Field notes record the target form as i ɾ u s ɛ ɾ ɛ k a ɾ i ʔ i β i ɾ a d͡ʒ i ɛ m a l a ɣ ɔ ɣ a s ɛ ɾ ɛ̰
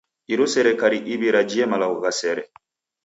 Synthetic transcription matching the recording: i ɾ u s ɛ ɾ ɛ k a ɾ i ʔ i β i ɾ a d͡ʒ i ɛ m a l a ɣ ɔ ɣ a s ɛ ɾ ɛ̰